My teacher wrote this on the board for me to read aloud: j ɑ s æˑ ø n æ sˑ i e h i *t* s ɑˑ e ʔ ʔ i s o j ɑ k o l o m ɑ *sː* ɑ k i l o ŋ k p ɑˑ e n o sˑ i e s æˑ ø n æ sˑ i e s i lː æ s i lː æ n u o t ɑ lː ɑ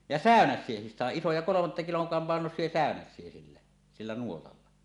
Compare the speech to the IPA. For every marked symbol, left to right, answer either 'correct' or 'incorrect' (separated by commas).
incorrect, incorrect